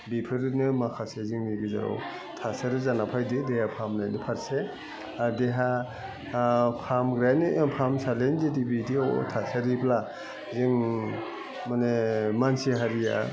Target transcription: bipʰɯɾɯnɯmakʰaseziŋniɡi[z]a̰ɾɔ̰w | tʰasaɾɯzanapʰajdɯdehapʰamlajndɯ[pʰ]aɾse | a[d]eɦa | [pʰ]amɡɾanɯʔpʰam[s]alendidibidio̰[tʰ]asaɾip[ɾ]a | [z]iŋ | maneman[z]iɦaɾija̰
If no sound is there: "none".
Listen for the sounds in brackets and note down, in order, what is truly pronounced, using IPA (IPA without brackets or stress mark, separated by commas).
z, pʰ, d, pʰ, s, tʰ, l, z, s